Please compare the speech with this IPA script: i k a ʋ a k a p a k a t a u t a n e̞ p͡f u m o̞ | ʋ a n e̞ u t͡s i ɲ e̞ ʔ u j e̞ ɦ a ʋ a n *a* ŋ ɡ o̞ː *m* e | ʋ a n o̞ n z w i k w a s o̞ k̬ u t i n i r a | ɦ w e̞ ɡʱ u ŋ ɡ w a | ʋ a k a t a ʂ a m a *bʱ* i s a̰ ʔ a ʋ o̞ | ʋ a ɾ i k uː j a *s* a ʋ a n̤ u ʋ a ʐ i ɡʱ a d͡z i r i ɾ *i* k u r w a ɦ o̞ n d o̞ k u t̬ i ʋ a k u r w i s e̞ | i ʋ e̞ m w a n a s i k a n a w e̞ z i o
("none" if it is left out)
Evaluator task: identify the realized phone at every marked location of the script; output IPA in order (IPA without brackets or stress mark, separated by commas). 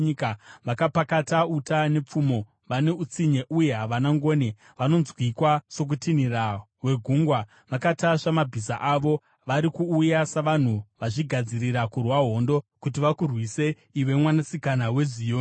a, n, bʱ, s, a